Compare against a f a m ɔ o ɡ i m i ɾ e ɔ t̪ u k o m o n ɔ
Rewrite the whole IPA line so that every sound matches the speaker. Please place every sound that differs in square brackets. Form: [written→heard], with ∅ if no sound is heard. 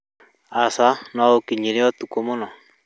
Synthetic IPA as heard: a [f→s] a [m→n] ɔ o [ɡ→k] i [m→ɲ] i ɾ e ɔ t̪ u k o m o n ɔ